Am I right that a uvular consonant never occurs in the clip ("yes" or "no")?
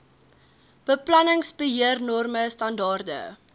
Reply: yes